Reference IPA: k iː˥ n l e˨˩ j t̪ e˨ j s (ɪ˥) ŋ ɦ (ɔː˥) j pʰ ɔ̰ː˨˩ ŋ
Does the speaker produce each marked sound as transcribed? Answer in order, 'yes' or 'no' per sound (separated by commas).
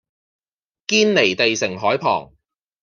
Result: no, no